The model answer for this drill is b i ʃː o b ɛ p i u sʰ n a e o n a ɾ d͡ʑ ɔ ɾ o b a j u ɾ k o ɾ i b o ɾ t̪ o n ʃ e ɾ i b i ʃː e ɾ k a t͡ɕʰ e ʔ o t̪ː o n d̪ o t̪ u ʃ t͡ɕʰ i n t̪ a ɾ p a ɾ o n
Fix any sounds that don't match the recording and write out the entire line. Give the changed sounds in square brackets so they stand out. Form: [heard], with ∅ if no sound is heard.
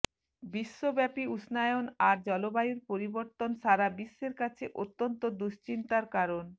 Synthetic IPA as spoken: b i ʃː o b ɛ p i u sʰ n a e o n a ɾ d͡ʑ ɔ [l] o b a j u ɾ [p] o ɾ i b o ɾ t̪ o n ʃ [a] ɾ [a] b i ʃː e ɾ k a t͡ɕʰ e ʔ o t̪ː o n [t̪] o [d̪] u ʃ [t͡ɕ] i n t̪ a ɾ [k] a ɾ o n

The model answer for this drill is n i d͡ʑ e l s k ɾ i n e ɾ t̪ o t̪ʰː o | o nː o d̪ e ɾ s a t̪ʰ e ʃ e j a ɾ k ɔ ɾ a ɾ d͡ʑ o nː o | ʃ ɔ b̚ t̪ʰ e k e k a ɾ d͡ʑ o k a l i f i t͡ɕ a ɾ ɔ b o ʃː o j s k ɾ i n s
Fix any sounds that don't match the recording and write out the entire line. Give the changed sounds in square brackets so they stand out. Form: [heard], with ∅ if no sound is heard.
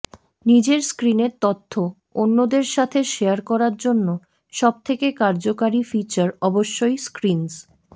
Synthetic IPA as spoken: n i d͡ʑ e [ɾ] s k ɾ i n e ɾ t̪ o t̪ʰː o | o nː o d̪ e ɾ [ʃ] a t̪ʰ e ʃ e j a ɾ k ɔ ɾ a ɾ d͡ʑ o nː o | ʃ ɔ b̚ t̪ʰ e k e k a ɾ d͡ʑ o k a [ɾ] i f i t͡ɕ a ɾ ɔ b o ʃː o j s k ɾ i n s

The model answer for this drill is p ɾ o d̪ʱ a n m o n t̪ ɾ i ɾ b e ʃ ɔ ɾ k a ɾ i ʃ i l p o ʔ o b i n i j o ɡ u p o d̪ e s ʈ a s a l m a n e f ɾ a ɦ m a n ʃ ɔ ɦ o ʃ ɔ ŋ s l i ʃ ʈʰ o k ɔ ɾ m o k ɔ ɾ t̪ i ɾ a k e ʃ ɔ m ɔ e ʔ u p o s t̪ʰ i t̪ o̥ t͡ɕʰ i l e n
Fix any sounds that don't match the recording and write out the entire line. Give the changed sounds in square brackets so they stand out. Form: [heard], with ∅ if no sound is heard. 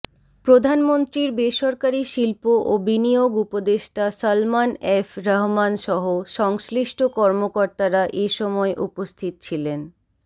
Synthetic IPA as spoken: p ɾ o d̪ʱ a n m o n t̪ ɾ i ɾ b e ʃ ɔ ɾ k a ɾ i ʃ i l p o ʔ o b i n i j o ɡ u p o d̪ e [ʃ] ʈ a s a l m a n e f ɾ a ɦ m a n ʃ ɔ ɦ o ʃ ɔ ŋ s l i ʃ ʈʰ o k ɔ ɾ m o k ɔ ɾ t̪ [a] ɾ a [ʔ] e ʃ ɔ m ɔ e ʔ u p o s t̪ʰ i t̪ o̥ t͡ɕʰ i l e n

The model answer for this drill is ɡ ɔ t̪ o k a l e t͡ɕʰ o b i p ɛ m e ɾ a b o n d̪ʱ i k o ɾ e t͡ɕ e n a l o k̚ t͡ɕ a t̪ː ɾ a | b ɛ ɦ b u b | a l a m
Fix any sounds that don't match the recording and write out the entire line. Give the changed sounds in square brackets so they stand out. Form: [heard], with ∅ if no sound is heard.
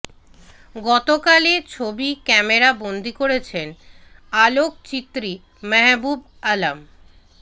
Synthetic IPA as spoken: ɡ ɔ t̪ o k a l e t͡ɕʰ o b i [k] ɛ m e ɾ a b o n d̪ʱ i k o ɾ e [t͡ɕʰ] e n a l o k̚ t͡ɕ [i] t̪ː ɾ [i] | [m] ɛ ɦ b u b | a l a m

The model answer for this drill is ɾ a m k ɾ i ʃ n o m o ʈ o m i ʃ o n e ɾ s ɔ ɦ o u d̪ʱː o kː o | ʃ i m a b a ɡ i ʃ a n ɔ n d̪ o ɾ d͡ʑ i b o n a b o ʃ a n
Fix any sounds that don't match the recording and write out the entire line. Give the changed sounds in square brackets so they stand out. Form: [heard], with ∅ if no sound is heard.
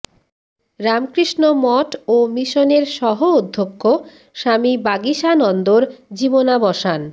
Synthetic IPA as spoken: ɾ a m k ɾ i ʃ n o m [ɔ] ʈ o m i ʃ o n e ɾ [ʃ] ɔ ɦ o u d̪ʱː o kː o | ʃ [a] m [i] b a ɡ i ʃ a n ɔ n d̪ o ɾ d͡ʑ i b o n a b [ɔ] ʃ a n

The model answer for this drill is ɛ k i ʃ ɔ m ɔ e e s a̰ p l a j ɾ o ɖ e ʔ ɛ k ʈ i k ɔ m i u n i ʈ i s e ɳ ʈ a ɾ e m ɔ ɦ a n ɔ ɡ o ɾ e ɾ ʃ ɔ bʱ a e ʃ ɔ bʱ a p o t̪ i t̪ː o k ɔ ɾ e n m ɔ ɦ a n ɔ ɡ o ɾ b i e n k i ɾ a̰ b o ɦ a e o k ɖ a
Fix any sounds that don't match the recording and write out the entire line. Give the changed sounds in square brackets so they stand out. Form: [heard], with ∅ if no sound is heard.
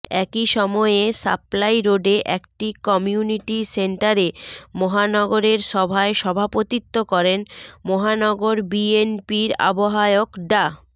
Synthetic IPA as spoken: ɛ k i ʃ ɔ m ɔ e e s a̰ p l a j ɾ o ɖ e ʔ ɛ k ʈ i k ɔ m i u n i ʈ i s e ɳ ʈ a ɾ e m ɔ ɦ a n ɔ ɡ o ɾ e ɾ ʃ ɔ bʱ a e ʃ ɔ bʱ a p o t̪ i t̪ː o k ɔ ɾ e n m ɔ ɦ a n ɔ ɡ o ɾ b i e n [p] i ɾ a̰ b o ɦ a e o k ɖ a

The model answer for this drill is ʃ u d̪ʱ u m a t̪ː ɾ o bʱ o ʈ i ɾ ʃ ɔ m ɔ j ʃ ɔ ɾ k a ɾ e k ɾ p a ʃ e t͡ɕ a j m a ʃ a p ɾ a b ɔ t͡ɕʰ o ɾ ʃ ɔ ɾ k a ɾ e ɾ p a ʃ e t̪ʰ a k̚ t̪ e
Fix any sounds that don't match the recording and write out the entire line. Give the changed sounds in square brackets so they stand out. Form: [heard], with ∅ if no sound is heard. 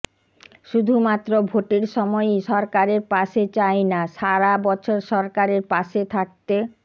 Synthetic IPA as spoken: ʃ u d̪ʱ u m a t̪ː ɾ o bʱ o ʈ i ɾ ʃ ɔ m ɔ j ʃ ɔ ɾ k a ɾ e [∅] ɾ p a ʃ e t͡ɕ a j [n] a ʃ a [∅] ɾ a b ɔ t͡ɕʰ o ɾ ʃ ɔ ɾ k a ɾ e ɾ p a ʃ e t̪ʰ a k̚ t̪ e

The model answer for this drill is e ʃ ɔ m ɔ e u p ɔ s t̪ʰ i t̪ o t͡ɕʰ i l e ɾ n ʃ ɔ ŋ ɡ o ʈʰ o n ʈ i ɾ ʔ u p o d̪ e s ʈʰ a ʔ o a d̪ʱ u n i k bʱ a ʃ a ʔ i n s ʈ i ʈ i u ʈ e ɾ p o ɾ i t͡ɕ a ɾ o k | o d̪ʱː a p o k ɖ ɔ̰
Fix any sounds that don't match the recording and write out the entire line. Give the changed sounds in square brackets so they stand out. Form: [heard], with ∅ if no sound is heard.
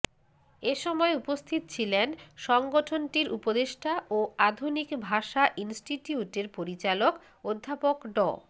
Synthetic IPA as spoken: e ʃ ɔ m ɔ e u p [o] s t̪ʰ i t̪ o t͡ɕʰ i l e [∅] n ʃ ɔ ŋ ɡ o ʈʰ o n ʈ i ɾ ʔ u p o d̪ e [ʃ] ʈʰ a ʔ o a d̪ʱ u n i k bʱ a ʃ a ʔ i n s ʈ i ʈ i u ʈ e ɾ p o ɾ i t͡ɕ a [l] o k | o d̪ʱː a p o k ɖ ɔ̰

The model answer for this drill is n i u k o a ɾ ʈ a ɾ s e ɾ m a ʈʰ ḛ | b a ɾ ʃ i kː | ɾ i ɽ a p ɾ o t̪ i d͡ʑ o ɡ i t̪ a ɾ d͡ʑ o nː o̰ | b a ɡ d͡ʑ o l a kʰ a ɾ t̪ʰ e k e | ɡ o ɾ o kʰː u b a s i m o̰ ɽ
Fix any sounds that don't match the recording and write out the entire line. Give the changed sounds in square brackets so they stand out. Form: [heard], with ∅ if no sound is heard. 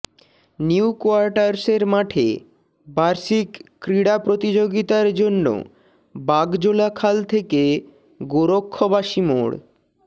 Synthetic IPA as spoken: n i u k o a ɾ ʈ a ɾ s e ɾ m a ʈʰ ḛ | b a ɾ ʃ i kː | ɾ i ɽ a p ɾ o t̪ i d͡ʑ o ɡ i t̪ a ɾ d͡ʑ o nː o̰ | b a ɡ d͡ʑ o l a kʰ a [l] t̪ʰ e k e | ɡ o ɾ o kʰː [o] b a [ʃ] i m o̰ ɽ

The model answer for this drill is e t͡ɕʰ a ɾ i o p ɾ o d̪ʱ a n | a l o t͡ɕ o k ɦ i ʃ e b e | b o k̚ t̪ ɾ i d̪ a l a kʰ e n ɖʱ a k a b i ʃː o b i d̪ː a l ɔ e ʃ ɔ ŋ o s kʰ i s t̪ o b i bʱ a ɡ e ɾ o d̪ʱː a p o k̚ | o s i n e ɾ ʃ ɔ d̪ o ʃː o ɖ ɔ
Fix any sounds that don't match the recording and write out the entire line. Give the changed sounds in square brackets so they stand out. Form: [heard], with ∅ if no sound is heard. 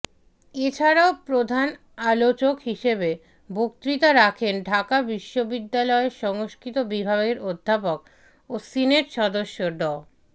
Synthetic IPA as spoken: e t͡ɕʰ a ɾ [a] o p ɾ o d̪ʱ a n | a l o t͡ɕ o k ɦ i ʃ e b e | b o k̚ t̪ ɾ i [t̪] a [ɾ] a kʰ e n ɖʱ a k a b i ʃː o b i d̪ː a l ɔ e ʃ ɔ ŋ o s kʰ i [∅] t̪ o b i bʱ a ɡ e ɾ o d̪ʱː a p o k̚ | o s i n e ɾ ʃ ɔ d̪ o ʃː o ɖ ɔ

